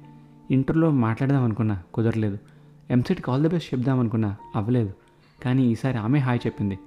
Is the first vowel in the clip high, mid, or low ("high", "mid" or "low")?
high